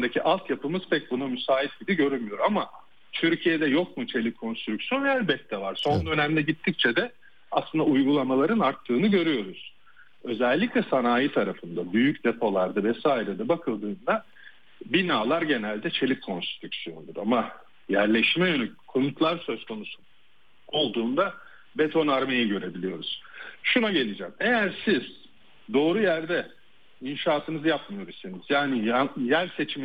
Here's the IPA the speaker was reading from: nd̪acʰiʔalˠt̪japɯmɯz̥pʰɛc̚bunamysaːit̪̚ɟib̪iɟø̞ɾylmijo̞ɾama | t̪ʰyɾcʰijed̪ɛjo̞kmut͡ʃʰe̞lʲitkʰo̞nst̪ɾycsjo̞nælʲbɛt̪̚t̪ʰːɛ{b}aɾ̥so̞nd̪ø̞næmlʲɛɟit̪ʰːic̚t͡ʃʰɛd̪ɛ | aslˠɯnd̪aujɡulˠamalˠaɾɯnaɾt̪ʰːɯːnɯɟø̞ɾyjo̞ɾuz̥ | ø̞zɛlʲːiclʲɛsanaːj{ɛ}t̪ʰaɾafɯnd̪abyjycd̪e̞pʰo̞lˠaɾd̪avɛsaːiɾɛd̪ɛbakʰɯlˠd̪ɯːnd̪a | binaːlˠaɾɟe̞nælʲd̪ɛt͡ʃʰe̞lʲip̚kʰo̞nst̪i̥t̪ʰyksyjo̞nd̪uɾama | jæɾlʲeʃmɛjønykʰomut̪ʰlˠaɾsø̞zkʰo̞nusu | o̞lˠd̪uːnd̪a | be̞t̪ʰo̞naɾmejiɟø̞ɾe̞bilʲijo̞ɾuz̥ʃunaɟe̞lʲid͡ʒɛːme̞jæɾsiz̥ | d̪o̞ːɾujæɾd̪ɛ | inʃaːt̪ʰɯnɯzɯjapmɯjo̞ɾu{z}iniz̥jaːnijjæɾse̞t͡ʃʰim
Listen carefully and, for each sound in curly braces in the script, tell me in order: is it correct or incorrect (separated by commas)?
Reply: incorrect, incorrect, incorrect